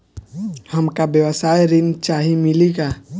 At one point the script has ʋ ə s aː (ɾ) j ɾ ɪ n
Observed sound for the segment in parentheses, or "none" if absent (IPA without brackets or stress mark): none